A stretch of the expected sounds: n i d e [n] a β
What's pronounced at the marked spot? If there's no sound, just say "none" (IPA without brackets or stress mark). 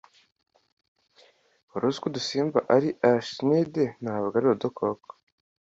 n